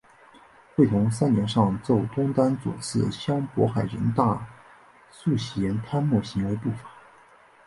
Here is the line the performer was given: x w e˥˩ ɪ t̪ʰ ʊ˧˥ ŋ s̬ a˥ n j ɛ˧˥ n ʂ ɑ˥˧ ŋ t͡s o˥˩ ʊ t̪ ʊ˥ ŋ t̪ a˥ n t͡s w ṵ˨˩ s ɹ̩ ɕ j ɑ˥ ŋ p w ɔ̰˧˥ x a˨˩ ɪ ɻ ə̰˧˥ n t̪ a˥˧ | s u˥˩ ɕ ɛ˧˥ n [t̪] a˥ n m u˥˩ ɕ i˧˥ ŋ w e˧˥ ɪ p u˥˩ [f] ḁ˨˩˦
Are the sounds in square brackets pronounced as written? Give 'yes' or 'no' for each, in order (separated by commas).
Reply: no, yes